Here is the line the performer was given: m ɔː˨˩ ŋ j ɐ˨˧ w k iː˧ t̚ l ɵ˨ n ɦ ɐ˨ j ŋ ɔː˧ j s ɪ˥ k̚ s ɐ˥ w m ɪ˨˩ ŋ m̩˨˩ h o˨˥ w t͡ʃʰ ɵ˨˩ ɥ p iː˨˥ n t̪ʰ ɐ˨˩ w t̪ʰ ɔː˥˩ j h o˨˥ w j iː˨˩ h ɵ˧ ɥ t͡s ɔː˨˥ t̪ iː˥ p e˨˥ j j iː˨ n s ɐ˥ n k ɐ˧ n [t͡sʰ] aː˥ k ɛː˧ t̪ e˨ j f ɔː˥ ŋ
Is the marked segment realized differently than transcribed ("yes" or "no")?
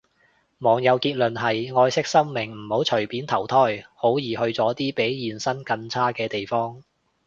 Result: no